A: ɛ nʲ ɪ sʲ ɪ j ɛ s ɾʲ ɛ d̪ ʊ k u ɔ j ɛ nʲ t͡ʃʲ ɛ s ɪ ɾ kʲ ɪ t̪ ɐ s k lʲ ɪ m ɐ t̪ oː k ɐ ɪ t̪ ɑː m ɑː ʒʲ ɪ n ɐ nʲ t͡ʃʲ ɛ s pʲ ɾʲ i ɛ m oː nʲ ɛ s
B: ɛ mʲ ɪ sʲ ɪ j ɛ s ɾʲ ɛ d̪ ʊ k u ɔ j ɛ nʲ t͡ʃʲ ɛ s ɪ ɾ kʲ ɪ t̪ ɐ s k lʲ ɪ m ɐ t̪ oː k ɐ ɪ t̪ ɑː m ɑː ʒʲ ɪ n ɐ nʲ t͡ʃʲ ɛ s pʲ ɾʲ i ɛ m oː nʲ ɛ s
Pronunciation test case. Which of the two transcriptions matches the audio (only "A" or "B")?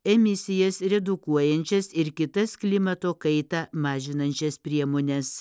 B